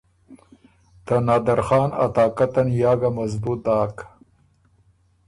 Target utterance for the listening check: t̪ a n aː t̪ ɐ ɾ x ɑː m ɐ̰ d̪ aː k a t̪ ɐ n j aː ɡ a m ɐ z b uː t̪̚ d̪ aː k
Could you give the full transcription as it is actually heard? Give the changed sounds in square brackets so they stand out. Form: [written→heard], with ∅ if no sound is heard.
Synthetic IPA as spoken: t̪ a n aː [t̪→d̪] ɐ ɾ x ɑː [m→n] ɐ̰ [d̪→t̪] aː k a t̪ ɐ n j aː ɡ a m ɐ z b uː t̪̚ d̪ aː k